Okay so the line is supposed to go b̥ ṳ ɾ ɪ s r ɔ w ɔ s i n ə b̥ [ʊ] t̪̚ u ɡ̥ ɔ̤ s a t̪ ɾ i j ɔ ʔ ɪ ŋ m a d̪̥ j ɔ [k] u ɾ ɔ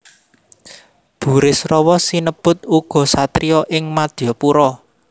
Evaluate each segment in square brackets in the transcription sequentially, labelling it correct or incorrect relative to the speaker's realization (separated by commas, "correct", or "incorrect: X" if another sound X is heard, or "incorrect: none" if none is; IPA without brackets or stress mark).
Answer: correct, incorrect: p